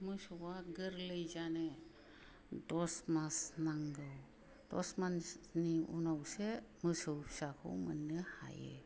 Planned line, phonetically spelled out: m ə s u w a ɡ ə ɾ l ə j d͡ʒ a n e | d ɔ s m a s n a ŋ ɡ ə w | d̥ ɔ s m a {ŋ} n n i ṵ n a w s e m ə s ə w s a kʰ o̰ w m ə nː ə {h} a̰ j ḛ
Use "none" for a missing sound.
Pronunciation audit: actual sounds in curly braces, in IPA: none, h

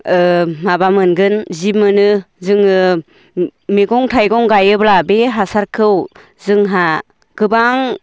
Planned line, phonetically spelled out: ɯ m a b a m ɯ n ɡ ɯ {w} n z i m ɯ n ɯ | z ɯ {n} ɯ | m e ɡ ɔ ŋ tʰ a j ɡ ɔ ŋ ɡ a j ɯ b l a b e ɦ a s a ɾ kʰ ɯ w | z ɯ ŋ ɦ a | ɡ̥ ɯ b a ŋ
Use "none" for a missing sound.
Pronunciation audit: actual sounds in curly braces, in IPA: none, ŋ

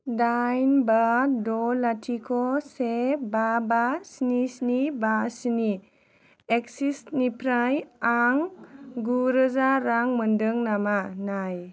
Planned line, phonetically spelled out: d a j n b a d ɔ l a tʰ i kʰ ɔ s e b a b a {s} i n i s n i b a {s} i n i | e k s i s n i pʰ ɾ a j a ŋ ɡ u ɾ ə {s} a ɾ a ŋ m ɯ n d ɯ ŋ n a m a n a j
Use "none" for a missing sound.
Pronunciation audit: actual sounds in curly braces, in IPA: s, s, z

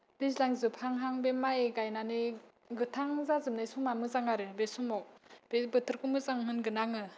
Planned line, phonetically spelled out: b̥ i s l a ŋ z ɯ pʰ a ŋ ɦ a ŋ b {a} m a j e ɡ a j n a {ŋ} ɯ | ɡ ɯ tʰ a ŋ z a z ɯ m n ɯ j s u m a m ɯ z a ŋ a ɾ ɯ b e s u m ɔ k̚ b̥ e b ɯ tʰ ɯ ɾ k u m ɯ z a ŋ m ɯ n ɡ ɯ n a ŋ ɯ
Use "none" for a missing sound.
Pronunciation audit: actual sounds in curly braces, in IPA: e, n

